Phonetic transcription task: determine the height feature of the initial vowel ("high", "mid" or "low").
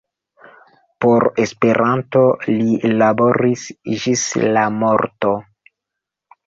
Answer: mid